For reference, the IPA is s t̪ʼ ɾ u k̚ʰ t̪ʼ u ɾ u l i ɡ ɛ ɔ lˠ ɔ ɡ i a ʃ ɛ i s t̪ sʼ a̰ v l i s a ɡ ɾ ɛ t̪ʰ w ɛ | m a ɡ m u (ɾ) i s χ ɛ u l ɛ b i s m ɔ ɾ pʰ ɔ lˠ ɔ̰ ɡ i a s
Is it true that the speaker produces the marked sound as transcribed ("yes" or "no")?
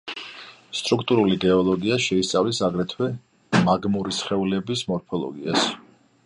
yes